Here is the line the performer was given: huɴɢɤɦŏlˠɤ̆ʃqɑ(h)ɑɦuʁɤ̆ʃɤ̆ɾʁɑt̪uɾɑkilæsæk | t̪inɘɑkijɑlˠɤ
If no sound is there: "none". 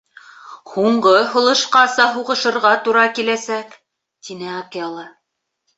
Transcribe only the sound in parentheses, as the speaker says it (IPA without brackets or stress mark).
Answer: s